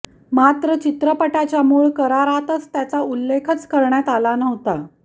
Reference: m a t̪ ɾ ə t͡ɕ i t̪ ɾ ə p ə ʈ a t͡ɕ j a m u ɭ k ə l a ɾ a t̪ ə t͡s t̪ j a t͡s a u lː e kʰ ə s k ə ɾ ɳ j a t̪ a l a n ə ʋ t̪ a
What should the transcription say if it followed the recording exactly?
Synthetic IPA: m a t̪ ɾ ə t͡ɕ i t̪ ɾ ə p ə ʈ a t͡ɕ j a m u ɭ k ə ɾ a ɾ a t̪ ə t͡s t̪ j a t͡s a u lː e kʰ ə t͡s k ə ɾ ɳ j a t̪ a l a n ə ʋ t̪ a